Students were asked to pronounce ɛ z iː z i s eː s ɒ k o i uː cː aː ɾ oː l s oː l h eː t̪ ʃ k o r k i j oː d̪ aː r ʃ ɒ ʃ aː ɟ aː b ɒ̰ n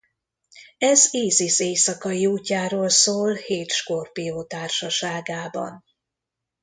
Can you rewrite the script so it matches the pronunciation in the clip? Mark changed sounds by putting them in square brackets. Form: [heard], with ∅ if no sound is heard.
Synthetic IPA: ɛ z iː z i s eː s ɒ k [ɒ] i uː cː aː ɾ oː l s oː l h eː t̪ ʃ k o r [p] i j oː [t̪] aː r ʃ ɒ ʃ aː [ɡ] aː b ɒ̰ n